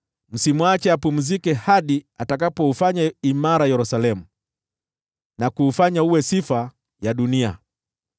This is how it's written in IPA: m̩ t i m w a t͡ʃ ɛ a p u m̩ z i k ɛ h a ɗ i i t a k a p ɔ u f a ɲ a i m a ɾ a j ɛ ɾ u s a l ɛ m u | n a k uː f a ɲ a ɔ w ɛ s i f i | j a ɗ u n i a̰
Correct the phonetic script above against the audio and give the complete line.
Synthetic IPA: m̩ s i m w a t͡ʃ ɛ a p u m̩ z i k ɛ h a ɗ i a t a k a p ɔ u f a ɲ a i m a ɾ a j ɛ ɾ u s a l ɛ m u | n a k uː f a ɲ a u w ɛ s i f a | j a ɗ u n i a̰